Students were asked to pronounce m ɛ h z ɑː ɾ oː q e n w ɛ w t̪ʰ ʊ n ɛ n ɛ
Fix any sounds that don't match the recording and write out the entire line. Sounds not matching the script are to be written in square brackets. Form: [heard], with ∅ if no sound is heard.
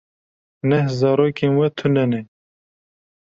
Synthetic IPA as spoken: [n] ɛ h z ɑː ɾ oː [k] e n w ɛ [∅] t̪ʰ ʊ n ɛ n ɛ